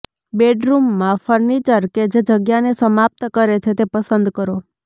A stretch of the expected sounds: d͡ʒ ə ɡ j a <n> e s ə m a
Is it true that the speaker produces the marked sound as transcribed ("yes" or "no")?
yes